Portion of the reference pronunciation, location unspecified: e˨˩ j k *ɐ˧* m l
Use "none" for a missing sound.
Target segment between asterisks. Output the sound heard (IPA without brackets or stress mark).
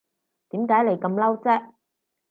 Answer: ɐ˧